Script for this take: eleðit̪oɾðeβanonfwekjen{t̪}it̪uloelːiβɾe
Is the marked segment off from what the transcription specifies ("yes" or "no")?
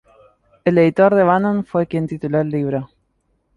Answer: no